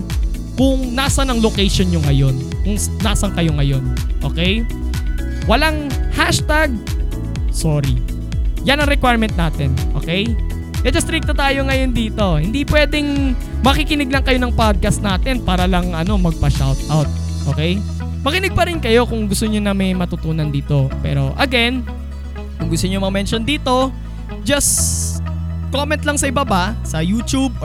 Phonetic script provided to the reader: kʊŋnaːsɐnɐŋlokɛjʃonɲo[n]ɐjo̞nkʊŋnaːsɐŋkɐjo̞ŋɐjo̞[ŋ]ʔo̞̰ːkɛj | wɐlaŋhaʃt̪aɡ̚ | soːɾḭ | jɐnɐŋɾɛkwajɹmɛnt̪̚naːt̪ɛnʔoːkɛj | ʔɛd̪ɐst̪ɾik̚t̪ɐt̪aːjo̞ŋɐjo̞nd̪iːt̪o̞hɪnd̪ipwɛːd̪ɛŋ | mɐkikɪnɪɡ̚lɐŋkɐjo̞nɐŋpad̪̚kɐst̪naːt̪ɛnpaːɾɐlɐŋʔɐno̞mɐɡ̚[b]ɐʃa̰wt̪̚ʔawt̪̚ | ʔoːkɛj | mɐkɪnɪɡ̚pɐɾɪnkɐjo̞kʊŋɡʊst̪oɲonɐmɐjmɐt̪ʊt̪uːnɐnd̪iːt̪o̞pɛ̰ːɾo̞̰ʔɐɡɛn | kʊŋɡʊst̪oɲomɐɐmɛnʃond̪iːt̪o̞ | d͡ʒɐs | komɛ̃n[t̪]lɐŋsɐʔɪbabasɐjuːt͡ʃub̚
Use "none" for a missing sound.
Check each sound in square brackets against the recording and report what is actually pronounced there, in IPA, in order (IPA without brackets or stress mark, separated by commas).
ŋ, n, p, t̪